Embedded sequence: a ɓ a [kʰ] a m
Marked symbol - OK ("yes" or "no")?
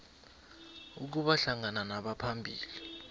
no